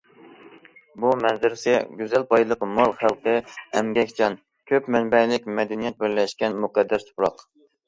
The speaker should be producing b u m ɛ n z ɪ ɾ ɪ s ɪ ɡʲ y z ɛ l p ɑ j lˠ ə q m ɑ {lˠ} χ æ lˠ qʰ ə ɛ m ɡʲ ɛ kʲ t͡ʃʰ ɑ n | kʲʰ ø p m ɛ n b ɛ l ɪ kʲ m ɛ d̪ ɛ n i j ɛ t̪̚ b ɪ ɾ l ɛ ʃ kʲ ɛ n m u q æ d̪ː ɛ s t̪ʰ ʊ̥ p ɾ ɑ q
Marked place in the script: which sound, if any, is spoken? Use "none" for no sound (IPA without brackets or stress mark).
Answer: lˠ